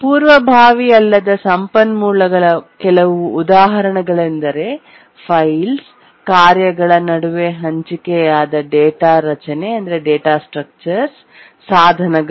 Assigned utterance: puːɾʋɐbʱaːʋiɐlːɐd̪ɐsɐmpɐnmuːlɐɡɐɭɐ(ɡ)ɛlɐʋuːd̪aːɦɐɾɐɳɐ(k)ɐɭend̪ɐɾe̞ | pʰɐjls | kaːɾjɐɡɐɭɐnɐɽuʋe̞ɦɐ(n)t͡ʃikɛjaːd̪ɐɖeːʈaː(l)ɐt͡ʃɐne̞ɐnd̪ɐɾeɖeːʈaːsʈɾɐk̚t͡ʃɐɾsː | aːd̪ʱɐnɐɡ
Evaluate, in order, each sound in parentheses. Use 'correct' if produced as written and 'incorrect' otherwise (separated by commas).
incorrect, incorrect, incorrect, incorrect